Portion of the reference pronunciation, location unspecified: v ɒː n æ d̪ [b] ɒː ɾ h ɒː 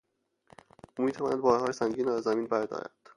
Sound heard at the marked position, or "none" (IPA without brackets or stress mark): b